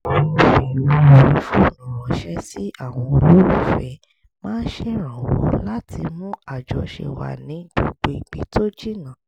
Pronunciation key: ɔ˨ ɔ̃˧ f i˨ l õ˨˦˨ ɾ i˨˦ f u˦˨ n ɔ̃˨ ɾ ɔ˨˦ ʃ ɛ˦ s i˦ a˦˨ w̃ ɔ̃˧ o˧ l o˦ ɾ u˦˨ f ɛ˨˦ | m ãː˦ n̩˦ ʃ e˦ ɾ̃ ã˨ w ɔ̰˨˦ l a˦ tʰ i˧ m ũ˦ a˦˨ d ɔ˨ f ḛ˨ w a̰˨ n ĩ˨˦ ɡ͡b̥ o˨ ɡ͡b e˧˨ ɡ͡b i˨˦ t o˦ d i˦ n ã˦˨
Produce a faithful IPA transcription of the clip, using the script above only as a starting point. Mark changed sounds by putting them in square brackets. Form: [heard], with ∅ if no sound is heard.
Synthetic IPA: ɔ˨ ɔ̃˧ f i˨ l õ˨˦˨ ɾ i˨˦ f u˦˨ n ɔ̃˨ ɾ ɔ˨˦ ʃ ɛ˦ s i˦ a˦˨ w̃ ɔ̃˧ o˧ l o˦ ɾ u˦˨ f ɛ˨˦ | m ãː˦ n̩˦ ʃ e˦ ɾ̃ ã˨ w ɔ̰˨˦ l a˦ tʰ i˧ m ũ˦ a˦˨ [d͡ʒ] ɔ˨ [ʃ] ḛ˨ w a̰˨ n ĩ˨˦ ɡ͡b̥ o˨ ɡ͡b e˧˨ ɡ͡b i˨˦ t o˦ [d͡ʒ] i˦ n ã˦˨